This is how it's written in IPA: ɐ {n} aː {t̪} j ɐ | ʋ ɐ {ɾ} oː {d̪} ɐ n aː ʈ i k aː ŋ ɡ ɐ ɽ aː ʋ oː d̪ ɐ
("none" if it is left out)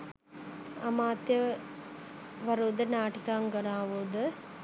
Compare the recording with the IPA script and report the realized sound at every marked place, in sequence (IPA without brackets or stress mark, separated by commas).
m, t̪, ɾ, d̪